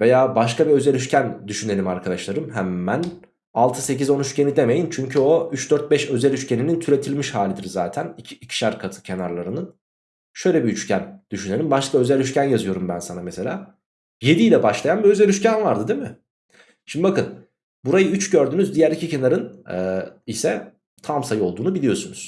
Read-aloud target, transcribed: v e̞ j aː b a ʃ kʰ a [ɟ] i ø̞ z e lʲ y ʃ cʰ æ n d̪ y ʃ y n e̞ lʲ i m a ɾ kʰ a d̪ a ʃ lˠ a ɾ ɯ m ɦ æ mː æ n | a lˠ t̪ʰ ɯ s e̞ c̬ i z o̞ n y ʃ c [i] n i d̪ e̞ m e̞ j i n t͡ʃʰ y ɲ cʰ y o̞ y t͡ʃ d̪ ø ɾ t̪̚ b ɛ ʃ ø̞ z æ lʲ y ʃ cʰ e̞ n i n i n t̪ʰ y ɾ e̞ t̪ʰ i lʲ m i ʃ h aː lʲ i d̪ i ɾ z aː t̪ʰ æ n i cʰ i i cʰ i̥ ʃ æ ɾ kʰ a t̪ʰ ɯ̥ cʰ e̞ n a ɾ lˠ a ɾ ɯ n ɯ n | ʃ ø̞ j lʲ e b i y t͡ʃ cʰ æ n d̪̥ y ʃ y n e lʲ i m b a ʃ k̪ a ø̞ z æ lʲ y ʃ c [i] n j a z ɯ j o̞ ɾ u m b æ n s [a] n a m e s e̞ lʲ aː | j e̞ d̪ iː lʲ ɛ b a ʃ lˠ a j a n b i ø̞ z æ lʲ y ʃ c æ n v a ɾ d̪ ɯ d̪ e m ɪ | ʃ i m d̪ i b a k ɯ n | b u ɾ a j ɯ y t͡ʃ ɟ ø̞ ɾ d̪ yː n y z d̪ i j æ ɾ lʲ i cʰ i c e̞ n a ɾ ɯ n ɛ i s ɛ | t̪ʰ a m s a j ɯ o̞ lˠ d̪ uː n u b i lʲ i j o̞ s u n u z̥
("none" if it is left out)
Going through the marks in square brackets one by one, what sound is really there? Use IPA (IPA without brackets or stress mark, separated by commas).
b, e, æ, a